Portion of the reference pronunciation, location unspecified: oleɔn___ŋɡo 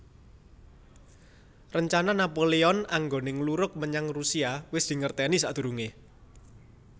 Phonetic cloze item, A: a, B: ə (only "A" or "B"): A